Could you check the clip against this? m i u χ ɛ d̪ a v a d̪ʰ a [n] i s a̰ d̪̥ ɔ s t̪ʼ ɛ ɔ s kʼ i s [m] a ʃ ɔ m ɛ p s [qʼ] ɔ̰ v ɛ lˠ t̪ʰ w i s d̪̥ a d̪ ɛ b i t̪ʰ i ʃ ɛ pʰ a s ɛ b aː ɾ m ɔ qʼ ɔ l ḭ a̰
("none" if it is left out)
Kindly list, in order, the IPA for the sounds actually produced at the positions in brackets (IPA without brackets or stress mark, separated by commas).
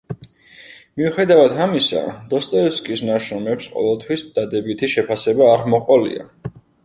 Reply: m, n, qʼ